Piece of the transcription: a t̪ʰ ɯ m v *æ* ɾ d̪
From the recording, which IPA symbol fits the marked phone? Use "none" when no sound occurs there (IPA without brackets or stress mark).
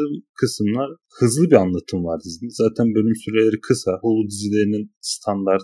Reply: a